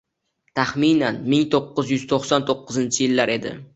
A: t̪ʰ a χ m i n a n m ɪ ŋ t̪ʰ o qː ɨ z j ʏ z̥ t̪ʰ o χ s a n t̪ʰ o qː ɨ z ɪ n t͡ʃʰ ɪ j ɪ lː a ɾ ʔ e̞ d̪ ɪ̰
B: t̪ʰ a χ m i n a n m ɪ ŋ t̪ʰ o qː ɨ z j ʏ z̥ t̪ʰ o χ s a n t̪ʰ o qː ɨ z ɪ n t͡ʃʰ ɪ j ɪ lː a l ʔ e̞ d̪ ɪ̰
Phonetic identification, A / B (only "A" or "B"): A